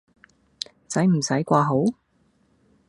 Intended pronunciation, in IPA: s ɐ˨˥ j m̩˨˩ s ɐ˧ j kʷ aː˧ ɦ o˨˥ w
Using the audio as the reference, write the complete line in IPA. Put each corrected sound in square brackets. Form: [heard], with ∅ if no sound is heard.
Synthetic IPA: [t͡s] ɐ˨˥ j m̩˨˩ s [ɐ˨˥] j kʷ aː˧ ɦ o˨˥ w